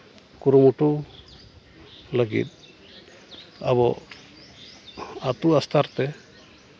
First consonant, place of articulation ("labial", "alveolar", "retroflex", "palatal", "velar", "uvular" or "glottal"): velar